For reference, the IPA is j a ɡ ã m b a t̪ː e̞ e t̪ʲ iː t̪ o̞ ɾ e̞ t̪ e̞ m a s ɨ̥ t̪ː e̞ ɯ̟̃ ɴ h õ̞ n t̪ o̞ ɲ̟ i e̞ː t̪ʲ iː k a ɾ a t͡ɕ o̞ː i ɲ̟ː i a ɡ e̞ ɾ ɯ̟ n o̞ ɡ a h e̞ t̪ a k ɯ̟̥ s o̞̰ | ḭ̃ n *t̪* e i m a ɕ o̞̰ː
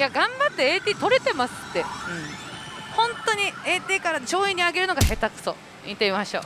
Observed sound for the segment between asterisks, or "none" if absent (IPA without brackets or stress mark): t̪